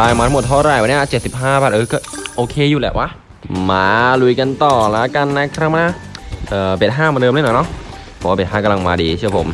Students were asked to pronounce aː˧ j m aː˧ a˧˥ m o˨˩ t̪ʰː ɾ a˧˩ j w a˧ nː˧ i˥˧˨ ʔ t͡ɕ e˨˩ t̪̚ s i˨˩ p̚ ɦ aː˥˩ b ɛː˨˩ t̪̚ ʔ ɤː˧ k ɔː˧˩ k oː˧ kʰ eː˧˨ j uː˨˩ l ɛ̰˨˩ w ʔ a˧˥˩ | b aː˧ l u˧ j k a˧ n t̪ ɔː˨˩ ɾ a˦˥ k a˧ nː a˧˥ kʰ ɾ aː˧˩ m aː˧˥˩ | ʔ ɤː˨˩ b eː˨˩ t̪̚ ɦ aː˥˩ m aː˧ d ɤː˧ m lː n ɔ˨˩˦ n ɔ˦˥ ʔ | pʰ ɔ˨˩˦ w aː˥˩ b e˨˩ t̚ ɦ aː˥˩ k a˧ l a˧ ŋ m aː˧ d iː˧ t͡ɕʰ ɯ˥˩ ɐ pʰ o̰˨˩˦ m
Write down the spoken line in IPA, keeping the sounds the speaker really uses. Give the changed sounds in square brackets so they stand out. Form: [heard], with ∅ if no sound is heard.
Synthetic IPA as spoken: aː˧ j m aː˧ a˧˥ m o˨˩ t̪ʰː ɾ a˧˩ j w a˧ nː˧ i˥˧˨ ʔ t͡ɕ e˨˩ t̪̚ s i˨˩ p̚ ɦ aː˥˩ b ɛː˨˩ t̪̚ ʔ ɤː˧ k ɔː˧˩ [ʔ] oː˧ kʰ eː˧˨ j uː˨˩ l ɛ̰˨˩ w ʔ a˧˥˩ | [m] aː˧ l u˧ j k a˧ n t̪ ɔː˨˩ [l] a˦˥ k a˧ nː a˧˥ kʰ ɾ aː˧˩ m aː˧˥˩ | ʔ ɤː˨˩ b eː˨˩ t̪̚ ɦ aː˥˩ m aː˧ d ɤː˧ m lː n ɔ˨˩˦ n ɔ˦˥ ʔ | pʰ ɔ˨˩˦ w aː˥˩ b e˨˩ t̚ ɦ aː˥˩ k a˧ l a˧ ŋ m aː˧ d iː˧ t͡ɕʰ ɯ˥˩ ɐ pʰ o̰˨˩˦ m

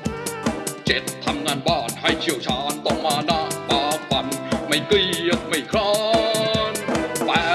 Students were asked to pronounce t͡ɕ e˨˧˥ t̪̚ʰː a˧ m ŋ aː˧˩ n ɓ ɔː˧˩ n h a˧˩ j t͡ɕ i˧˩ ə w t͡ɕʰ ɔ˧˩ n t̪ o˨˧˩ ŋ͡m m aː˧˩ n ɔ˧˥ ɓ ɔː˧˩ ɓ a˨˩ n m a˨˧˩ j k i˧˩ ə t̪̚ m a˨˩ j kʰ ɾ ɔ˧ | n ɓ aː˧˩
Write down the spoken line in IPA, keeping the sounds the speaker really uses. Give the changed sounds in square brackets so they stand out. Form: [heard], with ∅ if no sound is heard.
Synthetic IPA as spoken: t͡ɕ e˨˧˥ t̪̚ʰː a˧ m ŋ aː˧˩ n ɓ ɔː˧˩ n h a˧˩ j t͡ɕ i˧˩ ə w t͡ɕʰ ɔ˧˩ n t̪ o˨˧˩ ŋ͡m m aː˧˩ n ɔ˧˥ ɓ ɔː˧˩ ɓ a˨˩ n m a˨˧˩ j k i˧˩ ə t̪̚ m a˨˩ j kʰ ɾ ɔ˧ | n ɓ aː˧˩

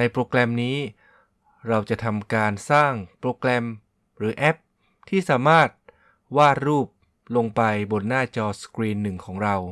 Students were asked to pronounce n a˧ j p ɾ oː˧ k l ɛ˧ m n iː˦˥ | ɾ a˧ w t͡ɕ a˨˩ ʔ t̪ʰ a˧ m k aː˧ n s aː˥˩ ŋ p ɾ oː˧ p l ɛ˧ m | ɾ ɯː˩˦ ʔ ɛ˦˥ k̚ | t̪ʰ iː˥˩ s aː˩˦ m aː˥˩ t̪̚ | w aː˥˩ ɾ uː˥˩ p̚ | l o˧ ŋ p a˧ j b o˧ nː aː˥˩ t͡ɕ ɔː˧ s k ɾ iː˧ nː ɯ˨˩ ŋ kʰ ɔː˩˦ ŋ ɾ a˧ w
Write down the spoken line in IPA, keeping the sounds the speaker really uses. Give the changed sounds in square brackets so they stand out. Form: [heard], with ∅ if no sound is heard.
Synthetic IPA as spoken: n a˧ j p ɾ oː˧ k l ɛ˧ m n iː˦˥ | ɾ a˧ w t͡ɕ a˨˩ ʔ t̪ʰ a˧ m k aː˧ n s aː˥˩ ŋ p ɾ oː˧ [k] l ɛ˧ m | ɾ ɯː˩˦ ʔ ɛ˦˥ [p̚] | t̪ʰ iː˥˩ s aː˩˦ m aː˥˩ t̪̚ | w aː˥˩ ɾ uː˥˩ p̚ | l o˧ ŋ p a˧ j b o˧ nː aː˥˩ t͡ɕ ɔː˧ s k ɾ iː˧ nː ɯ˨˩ ŋ kʰ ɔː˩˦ ŋ ɾ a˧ w

